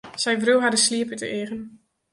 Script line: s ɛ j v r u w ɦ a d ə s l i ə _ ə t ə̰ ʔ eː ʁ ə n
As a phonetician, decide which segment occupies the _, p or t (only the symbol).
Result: p